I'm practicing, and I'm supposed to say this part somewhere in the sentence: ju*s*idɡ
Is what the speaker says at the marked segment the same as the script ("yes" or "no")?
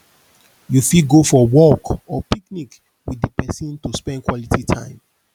no